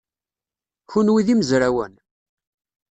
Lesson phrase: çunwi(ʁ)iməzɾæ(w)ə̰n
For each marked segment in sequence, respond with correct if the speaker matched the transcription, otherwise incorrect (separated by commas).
incorrect, correct